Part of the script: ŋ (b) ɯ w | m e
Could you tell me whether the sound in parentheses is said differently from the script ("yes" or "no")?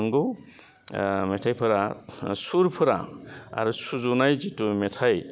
yes